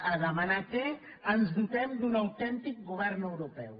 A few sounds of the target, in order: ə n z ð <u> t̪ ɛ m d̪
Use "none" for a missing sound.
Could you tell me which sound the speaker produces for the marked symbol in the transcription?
u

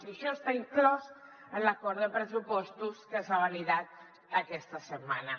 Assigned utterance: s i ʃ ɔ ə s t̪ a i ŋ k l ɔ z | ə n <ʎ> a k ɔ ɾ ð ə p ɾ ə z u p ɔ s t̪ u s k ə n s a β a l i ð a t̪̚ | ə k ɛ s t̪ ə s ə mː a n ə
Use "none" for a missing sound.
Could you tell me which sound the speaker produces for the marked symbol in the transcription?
l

